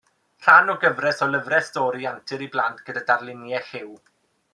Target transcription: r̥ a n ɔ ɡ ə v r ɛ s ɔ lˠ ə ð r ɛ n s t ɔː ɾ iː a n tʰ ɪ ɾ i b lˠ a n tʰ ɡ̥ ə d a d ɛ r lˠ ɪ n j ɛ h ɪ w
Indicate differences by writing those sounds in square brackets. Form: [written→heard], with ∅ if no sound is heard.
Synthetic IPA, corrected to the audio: r̥ a n ɔ ɡ ə v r ɛ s ɔ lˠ ə [ð→v] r ɛ [n→∅] s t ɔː ɾ [iː→i] a n tʰ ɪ ɾ i b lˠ a n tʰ ɡ̥ ə d a d [ɛ→a] r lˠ ɪ n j ɛ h ɪ w